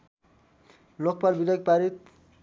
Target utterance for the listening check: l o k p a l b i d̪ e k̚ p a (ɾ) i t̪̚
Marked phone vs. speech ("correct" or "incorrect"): correct